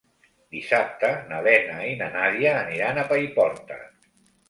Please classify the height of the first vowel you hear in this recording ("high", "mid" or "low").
high